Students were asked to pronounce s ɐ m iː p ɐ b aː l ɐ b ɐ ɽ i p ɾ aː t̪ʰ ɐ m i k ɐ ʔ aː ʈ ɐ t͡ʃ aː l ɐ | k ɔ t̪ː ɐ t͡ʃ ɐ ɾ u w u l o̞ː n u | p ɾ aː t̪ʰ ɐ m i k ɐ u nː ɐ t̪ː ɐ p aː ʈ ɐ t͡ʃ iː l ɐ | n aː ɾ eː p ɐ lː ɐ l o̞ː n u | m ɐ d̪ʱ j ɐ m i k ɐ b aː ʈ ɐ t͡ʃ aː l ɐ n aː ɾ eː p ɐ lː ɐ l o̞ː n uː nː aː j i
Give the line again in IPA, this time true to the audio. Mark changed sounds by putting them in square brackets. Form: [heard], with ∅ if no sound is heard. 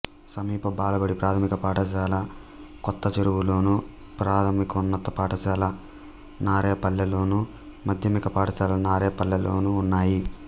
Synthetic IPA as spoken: s ɐ m iː p ɐ b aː l ɐ b ɐ ɽ i p ɾ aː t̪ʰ ɐ m i k ɐ [p] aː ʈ ɐ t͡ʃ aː l ɐ | k ɔ t̪ː ɐ t͡ʃ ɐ ɾ u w u l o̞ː n u | p ɾ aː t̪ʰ ɐ m i k ɐ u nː ɐ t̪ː ɐ p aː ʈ ɐ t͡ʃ [aː] l ɐ | n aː ɾ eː p ɐ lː ɐ l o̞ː n u | m ɐ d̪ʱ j ɐ m i k ɐ [p] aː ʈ ɐ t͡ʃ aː l ɐ n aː ɾ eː p ɐ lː ɐ l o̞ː n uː nː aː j i

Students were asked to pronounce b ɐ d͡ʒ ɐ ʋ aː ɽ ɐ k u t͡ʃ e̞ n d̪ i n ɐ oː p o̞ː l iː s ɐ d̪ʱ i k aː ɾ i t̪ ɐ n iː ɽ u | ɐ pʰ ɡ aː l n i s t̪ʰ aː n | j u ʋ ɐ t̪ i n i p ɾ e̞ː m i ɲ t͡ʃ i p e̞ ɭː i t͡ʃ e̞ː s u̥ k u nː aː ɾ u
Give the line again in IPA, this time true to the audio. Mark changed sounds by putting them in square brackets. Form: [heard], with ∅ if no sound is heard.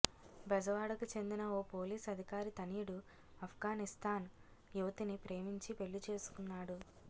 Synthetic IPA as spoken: b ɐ d͡ʒ ɐ ʋ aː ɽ ɐ k u t͡ʃ e̞ n d̪ i n ɐ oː p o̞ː l iː s ɐ d̪ʱ i k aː ɾ i t̪ ɐ n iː ɽ u | ɐ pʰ ɡ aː [∅] n i s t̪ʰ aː n | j u ʋ ɐ t̪ i n i p ɾ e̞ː m i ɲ t͡ʃ i p e̞ ɭː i t͡ʃ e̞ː s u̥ k u nː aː [ɽ] u

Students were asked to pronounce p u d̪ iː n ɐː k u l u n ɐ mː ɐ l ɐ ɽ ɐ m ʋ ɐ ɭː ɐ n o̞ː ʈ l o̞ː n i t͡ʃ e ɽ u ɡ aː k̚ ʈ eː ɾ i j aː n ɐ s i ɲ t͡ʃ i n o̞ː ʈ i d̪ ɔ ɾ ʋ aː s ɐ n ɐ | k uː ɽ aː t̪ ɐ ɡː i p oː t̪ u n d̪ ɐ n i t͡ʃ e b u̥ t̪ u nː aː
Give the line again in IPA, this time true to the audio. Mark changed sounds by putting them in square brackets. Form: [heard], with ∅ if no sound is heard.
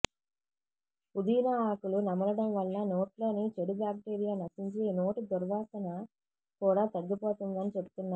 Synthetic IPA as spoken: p u d̪ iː n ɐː k u l u n ɐ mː ɐ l ɐ ɽ ɐ m ʋ ɐ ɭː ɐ n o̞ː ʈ l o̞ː n i t͡ʃ e ɽ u [b] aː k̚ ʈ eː ɾ i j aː n ɐ s i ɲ t͡ʃ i n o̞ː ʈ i d̪ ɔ ɾ ʋ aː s ɐ n ɐ | k uː ɽ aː t̪ ɐ ɡː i p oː t̪ u n d̪ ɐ n i t͡ʃ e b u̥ t̪ u nː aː

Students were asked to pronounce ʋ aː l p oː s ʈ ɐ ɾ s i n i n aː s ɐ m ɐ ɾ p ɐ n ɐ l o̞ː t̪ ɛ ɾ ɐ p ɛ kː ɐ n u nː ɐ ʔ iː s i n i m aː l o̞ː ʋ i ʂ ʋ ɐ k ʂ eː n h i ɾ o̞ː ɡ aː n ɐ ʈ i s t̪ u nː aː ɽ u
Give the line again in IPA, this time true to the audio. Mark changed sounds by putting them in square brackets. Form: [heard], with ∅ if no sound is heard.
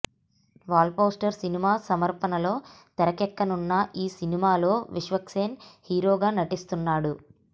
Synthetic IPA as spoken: ʋ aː l p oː s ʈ ɐ ɾ s i n i [m] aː s ɐ m ɐ ɾ p ɐ n ɐ l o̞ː t̪ ɛ ɾ ɐ [k] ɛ kː ɐ n u nː ɐ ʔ iː s i n i m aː l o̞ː ʋ i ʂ ʋ ɐ k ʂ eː n h [iː] ɾ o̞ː ɡ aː n ɐ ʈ i s t̪ u nː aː ɽ u

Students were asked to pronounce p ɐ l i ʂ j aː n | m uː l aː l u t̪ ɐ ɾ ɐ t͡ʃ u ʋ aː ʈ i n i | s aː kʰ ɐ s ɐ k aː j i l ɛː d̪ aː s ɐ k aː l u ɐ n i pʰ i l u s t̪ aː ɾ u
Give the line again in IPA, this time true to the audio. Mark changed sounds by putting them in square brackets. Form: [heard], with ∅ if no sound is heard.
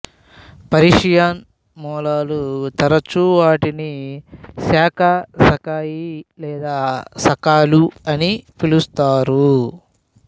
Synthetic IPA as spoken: p ɐ [ɾ] i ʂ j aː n | m [ɔː] l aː l u t̪ ɐ ɾ ɐ t͡ʃ u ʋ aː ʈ i n i | s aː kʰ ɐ s ɐ k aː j i l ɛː d̪ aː s ɐ k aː l u ɐ n i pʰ i l u s t̪ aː ɾ u

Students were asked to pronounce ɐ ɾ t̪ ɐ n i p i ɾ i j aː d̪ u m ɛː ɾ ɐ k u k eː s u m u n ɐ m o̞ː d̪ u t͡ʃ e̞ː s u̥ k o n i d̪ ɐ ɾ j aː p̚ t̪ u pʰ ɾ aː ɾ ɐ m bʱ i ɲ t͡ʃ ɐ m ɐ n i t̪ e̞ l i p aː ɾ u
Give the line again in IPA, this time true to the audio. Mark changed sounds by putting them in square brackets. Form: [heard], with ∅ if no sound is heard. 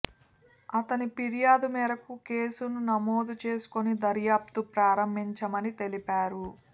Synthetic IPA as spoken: ɐ [∅] t̪ ɐ n i p i ɾ i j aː d̪ u m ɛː ɾ ɐ k u k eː s u [n] u n ɐ m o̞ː d̪ u t͡ʃ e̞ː s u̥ k o n i d̪ ɐ ɾ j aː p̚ t̪ u [p] ɾ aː ɾ ɐ m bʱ i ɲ t͡ʃ ɐ m ɐ n i t̪ e̞ l i p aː ɾ u

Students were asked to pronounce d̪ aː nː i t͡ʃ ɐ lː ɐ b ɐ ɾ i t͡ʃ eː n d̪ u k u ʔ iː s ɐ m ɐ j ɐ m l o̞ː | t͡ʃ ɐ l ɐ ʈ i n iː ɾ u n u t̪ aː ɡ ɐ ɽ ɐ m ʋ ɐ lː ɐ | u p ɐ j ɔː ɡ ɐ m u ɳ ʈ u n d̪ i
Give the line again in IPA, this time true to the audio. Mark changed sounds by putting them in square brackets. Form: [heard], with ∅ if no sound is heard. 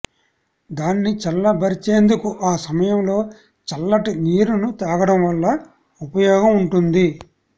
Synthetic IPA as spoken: d̪ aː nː i t͡ʃ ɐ lː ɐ b ɐ ɾ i t͡ʃ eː n d̪ u k u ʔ [aː] s ɐ m ɐ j ɐ m l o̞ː | t͡ʃ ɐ [lː] ɐ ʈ i n iː ɾ u n u t̪ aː ɡ ɐ ɽ ɐ m ʋ ɐ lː ɐ | u p ɐ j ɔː ɡ ɐ m u ɳ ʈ u n d̪ i

